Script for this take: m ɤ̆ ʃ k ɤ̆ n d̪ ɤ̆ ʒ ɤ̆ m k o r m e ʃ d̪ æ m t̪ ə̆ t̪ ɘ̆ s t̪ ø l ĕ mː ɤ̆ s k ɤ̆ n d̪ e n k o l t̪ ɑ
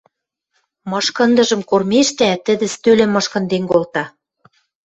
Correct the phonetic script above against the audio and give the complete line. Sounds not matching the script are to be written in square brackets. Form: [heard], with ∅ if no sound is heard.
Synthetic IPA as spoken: m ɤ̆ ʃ k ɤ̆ n d̪ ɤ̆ ʒ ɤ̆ m k o r m e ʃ [t̪] æ [∅] t̪ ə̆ [d̪] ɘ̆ s t̪ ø l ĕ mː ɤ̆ [ʃ] k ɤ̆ n d̪ e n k o l t̪ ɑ